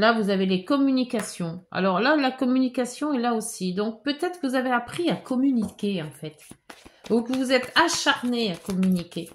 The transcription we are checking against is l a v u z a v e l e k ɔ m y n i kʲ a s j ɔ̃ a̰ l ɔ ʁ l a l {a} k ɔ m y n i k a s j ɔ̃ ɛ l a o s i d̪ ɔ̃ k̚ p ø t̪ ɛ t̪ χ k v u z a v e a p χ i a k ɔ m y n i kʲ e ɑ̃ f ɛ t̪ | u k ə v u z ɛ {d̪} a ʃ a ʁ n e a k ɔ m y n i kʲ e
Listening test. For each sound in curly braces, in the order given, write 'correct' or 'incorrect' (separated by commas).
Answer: correct, incorrect